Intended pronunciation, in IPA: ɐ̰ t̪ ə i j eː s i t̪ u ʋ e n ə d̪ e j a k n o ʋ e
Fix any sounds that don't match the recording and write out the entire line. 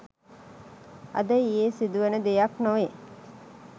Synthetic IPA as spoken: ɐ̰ d̪ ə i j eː s i d̪ u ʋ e n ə d̪ e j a k n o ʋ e